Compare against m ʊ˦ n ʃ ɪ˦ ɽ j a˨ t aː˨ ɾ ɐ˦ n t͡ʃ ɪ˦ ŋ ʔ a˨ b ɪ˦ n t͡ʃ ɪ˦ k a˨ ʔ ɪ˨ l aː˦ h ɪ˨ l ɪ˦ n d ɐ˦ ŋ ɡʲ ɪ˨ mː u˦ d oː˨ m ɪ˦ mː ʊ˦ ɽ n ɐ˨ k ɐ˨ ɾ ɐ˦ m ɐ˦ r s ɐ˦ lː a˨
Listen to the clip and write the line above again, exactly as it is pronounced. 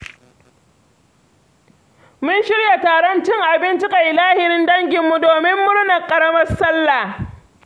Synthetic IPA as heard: m ʊ˦ n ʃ ɪ˦ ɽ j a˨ t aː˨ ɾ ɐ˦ n t͡ʃ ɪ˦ ŋ ʔ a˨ b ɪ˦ n t͡ʃ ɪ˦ k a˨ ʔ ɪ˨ l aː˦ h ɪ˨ ɾ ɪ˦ n d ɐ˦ ŋ ɡʲ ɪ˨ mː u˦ d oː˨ m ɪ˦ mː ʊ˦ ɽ n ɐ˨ kʼ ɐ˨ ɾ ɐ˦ m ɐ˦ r s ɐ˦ lː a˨